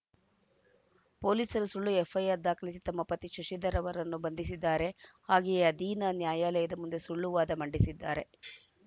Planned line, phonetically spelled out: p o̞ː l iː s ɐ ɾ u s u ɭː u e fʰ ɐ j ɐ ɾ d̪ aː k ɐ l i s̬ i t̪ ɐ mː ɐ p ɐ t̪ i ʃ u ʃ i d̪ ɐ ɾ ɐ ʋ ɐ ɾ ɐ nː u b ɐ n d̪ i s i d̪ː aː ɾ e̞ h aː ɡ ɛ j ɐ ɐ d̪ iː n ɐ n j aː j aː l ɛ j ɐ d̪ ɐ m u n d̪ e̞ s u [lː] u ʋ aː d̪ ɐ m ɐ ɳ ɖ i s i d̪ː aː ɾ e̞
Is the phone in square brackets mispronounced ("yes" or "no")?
yes